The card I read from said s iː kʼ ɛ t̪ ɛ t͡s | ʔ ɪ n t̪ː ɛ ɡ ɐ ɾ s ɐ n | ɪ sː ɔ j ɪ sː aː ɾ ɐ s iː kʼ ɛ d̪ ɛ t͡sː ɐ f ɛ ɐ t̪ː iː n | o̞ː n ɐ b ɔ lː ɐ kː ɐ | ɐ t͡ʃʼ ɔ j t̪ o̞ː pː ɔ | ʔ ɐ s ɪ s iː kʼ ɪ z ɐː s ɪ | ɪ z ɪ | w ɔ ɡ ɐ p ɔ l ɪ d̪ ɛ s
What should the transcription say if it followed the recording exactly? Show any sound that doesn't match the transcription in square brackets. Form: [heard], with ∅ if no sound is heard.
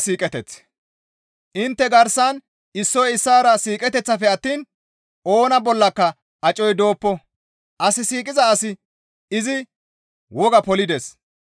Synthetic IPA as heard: s iː kʼ ɛ t̪ ɛ t͡s | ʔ ɪ n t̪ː ɛ ɡ ɐ ɾ s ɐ n | ɪ sː ɔ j ɪ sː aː ɾ ɐ s iː kʼ ɛ [t̪] ɛ t͡sː ɐ f ɛ ɐ t̪ː iː n | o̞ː n ɐ b ɔ lː ɐ kː ɐ | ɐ t͡ʃʼ ɔ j [d̪] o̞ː pː ɔ | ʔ ɐ s ɪ s iː kʼ ɪ z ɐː s ɪ | ɪ z ɪ | w ɔ ɡ ɐ p ɔ l ɪ d̪ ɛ s